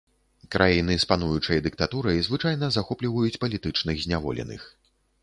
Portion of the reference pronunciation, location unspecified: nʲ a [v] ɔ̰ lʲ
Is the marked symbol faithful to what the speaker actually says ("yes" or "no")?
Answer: yes